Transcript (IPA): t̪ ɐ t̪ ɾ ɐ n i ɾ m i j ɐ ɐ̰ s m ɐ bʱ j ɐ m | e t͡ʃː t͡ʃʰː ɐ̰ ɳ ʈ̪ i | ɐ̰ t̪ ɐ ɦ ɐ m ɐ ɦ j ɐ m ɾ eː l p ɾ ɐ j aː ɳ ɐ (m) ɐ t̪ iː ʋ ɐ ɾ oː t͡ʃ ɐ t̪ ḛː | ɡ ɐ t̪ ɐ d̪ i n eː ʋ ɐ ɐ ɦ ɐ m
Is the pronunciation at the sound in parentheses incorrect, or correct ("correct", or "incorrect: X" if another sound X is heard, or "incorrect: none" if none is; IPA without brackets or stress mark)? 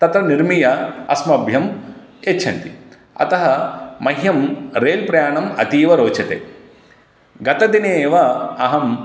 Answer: correct